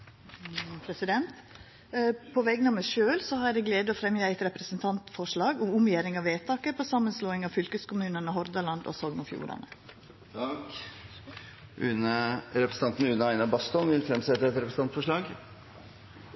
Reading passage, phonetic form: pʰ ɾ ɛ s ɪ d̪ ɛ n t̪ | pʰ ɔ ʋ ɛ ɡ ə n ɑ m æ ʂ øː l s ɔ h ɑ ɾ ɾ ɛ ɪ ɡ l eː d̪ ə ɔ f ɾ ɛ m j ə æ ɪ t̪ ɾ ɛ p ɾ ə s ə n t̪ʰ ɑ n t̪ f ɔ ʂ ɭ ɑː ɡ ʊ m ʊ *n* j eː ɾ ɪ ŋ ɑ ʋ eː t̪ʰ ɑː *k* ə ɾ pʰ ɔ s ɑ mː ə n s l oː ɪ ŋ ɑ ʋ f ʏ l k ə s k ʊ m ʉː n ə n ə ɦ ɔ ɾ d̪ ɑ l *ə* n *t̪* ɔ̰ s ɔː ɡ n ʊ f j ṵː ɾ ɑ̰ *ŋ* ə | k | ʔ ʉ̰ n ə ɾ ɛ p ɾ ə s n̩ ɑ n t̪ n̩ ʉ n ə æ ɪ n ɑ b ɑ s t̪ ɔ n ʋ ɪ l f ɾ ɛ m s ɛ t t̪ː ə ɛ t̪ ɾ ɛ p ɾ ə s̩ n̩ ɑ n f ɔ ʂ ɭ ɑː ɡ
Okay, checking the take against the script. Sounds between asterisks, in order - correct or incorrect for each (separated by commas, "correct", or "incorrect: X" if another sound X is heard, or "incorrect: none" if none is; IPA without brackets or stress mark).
incorrect: m, correct, incorrect: ɑ, incorrect: d̪, incorrect: n